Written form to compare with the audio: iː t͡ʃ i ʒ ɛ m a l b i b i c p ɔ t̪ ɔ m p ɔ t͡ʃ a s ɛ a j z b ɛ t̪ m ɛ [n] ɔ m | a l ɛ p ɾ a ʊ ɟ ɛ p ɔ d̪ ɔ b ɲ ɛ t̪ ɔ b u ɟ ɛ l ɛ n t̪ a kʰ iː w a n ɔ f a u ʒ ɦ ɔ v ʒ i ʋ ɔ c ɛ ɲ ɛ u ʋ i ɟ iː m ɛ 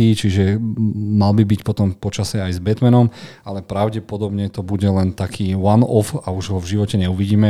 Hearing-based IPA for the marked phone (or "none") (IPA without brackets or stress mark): n